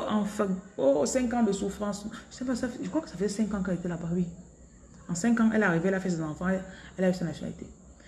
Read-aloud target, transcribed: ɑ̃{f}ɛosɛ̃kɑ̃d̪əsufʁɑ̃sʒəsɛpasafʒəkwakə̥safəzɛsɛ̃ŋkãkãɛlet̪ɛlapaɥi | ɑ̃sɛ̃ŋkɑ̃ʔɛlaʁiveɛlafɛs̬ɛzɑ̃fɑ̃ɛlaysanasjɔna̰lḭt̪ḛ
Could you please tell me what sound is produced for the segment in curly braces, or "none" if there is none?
f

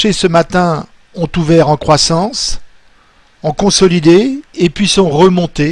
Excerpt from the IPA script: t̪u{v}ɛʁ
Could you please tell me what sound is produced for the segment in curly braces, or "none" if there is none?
v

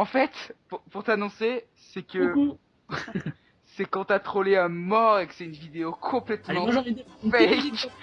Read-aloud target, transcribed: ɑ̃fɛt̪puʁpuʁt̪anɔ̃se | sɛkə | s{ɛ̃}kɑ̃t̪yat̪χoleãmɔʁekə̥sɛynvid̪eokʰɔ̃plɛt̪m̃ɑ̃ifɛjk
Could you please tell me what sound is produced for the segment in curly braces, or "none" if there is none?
ɛ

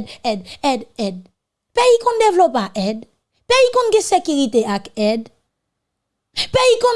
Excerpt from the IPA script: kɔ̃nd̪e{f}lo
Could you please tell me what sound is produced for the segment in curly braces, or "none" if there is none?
v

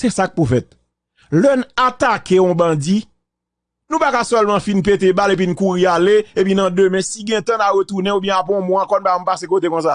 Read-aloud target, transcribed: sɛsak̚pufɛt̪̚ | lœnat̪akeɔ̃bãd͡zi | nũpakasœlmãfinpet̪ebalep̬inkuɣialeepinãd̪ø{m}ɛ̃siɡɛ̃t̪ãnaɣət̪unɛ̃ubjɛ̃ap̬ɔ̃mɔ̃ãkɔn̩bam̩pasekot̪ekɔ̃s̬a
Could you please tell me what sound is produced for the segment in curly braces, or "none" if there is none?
m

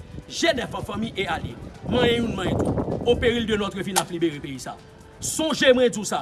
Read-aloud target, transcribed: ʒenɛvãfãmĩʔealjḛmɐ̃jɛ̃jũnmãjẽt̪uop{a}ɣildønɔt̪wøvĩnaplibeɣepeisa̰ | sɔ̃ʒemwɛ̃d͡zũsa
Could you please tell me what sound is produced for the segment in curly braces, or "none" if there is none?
e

